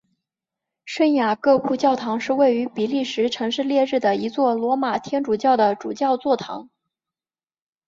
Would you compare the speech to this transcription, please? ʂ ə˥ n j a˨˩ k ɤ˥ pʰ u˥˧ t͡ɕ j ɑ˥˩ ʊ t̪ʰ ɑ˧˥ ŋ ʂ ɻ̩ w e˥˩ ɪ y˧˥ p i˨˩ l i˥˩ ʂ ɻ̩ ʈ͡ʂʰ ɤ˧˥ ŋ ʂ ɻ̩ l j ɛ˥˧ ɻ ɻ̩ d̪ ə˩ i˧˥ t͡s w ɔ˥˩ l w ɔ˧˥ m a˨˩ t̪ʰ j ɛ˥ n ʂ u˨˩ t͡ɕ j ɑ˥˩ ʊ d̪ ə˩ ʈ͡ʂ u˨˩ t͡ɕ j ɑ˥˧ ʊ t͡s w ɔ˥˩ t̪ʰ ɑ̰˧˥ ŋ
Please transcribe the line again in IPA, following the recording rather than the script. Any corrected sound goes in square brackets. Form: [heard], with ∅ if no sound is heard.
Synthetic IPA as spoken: ʂ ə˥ n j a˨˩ k [ɤ˥˧] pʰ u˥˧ t͡ɕ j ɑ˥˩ ʊ t̪ʰ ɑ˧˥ ŋ ʂ ɻ̩ w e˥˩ ɪ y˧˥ p i˨˩ l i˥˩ ʂ ɻ̩ ʈ͡ʂʰ ɤ˧˥ ŋ ʂ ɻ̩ l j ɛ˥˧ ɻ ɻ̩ d̪ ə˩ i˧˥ t͡s w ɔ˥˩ l w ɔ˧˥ m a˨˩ t̪ʰ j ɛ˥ n [ʈ͡ʂ] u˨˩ t͡ɕ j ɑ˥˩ ʊ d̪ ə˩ ʈ͡ʂ u˨˩ t͡ɕ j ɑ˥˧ ʊ t͡s w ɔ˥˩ t̪ʰ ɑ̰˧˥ ŋ

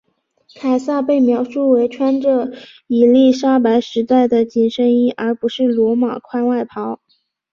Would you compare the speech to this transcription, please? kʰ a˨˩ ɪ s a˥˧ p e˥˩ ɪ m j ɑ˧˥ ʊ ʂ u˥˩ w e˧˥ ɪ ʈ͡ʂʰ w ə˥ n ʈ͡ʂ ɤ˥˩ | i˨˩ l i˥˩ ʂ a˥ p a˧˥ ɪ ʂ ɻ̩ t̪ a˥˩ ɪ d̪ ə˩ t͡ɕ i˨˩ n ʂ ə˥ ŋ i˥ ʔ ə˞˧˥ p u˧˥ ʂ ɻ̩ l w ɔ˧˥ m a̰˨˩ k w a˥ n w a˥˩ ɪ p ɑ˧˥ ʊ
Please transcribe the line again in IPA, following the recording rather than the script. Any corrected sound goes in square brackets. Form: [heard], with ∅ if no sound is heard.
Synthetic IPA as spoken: kʰ a˨˩ ɪ s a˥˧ p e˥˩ ɪ m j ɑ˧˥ ʊ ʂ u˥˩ w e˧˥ ɪ ʈ͡ʂʰ w [a˥] n ʈ͡ʂ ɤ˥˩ | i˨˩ l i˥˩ ʂ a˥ p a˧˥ ɪ ʂ ɻ̩ t̪ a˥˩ ɪ d̪ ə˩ t͡ɕ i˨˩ n ʂ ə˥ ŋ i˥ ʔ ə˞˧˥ p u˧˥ ʂ ɻ̩ l w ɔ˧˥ m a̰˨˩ [kʰ] w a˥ n w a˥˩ ɪ [pʰ] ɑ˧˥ ʊ

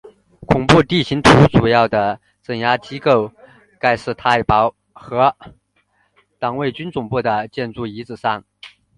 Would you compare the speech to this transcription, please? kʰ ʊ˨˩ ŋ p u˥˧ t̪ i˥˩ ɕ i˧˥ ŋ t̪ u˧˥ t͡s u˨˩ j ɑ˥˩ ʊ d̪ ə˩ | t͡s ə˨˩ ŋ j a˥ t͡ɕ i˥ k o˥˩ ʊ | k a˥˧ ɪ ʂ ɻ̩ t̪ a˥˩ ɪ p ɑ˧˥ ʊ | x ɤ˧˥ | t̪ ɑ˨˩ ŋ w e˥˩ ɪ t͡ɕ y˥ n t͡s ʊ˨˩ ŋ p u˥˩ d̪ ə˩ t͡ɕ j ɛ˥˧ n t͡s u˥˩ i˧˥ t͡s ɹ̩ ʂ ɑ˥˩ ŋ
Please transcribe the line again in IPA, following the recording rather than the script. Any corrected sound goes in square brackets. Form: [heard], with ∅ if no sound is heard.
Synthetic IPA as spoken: kʰ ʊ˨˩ ŋ p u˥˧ t̪ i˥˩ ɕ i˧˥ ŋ [t̪ʰ] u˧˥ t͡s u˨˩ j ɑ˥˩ ʊ d̪ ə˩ | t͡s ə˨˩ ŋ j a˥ t͡ɕ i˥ k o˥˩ ʊ | k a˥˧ ɪ ʂ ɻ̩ [t̪ʰ] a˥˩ ɪ p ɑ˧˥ ʊ | x ɤ˧˥ | t̪ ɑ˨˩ ŋ w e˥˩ ɪ t͡ɕ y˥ n t͡s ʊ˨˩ ŋ p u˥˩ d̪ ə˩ t͡ɕ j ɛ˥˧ n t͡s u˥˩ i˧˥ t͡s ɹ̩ ʂ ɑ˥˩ ŋ

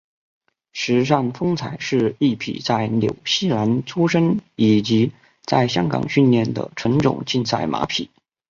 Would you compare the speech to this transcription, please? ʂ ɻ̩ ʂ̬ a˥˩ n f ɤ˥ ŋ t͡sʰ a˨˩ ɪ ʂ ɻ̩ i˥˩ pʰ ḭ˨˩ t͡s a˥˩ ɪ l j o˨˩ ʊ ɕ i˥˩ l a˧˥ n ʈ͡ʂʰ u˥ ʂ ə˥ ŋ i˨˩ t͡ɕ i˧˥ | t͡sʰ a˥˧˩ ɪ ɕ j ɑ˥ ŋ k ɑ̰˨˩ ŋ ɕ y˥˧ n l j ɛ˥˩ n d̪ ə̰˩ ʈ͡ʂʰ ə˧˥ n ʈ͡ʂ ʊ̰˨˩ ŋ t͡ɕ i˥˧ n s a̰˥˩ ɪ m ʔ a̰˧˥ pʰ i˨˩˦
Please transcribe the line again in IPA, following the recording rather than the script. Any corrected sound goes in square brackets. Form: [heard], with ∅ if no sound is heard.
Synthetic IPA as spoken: ʂ ɻ̩ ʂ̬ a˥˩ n f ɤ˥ ŋ t͡sʰ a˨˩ ɪ ʂ ɻ̩ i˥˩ pʰ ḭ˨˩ t͡s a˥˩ ɪ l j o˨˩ ʊ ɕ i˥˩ l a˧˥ n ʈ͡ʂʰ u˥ ʂ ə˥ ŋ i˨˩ t͡ɕ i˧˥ | [t͡s] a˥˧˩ ɪ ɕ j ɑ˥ ŋ k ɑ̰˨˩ ŋ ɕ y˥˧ n l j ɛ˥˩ n d̪ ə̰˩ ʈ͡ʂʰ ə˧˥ n ʈ͡ʂ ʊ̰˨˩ ŋ t͡ɕ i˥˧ n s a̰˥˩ ɪ m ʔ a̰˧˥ pʰ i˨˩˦

